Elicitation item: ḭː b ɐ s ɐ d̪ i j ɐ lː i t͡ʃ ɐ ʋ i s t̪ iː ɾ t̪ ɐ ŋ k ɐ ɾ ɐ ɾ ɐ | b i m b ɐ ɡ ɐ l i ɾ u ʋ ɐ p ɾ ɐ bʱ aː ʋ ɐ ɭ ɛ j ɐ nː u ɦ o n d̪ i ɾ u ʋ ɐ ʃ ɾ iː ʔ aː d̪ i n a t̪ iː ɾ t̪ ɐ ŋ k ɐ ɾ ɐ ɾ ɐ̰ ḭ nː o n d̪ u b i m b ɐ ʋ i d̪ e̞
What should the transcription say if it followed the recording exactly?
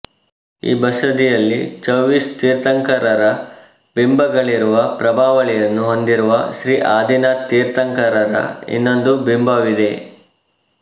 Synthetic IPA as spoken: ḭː b ɐ s ɐ d̪ i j ɐ lː i t͡ʃ ɐ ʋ i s t̪ iː ɾ t̪ ɐ ŋ k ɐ ɾ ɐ ɾ ɐ | b i m b ɐ ɡ ɐ ɭ i ɾ u ʋ ɐ p ɾ ɐ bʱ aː ʋ ɐ ɭ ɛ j ɐ nː u ɦ o n d̪ i ɾ u ʋ ɐ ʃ ɾ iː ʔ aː d̪ i n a t̪ iː ɾ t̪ ɐ ŋ k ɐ ɾ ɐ ɾ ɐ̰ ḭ nː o n d̪ u b i m b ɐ ʋ i d̪ e̞